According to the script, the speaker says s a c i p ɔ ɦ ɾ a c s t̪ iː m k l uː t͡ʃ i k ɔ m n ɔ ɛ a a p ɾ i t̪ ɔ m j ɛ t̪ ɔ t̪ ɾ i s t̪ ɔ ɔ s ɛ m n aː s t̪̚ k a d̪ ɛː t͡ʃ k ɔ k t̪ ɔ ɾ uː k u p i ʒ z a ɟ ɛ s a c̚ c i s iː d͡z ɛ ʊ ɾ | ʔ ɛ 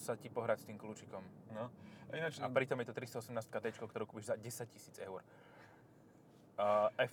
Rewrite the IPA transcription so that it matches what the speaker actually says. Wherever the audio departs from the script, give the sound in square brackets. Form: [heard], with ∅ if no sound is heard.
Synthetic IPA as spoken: s a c i p ɔ ɦ ɾ a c s t̪ iː m k l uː t͡ʃ i k ɔ m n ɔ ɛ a a p ɾ i t̪ ɔ m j ɛ t̪ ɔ t̪ ɾ i s t̪ ɔ ɔ s ɛ m n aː s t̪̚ k a d̪ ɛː t͡ʃ k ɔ k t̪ ɔ ɾ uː k u p i ʒ z a ɟ ɛ s a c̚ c i s iː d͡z ɛ ʊ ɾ | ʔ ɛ